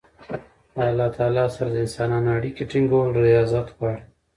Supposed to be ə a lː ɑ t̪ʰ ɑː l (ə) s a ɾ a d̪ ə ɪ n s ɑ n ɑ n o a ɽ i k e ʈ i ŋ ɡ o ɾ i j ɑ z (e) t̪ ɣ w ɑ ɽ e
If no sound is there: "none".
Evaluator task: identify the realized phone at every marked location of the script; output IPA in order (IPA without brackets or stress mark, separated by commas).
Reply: ɑ, a